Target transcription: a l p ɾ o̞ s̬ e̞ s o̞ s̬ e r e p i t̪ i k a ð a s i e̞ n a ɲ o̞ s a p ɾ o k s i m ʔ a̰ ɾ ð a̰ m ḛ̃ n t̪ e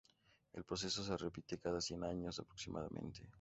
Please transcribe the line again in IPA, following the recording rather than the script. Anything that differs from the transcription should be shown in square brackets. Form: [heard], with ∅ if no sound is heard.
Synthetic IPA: [e] l p ɾ o̞ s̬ e̞ s o̞ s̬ e r e p i t̪ [e] k a ð a s [j] e̞ n a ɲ o̞ s a p ɾ o k s i m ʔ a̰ [∅] ð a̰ m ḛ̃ n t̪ e

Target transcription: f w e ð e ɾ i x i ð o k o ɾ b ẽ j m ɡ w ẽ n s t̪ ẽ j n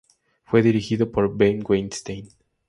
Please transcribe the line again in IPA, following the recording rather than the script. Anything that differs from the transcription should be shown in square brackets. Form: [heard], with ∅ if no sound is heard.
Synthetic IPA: f w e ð [i] ɾ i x i ð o [p] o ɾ b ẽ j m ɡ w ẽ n s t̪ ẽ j n

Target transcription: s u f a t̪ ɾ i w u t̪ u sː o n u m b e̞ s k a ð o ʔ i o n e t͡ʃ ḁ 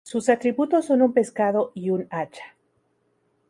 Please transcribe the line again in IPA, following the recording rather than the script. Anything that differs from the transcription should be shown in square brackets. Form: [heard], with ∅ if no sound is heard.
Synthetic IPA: s u [s] a t̪ ɾ i [β] u t̪ [o] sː o n u m [p] e̞ s k a ð o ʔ i [u] n [a] t͡ʃ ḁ

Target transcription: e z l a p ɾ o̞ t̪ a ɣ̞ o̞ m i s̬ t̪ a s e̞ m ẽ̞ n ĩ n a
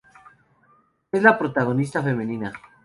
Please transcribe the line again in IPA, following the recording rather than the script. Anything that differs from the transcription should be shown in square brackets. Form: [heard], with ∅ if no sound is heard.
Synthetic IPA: e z l a p ɾ o̞ t̪ a ɣ̞ o̞ [n] i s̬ t̪ a [f] e̞ m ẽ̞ n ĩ n a

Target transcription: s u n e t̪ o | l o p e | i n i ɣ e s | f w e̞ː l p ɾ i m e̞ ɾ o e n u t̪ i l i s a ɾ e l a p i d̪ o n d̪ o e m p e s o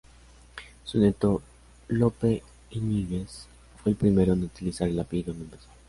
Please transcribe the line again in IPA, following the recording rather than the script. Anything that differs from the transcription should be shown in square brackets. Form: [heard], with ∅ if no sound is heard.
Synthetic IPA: s u n e t̪ o | l o p e | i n i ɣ e s | f w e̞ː l p ɾ i m e̞ ɾ o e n u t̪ i l i s a ɾ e l a p i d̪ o n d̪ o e m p e s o

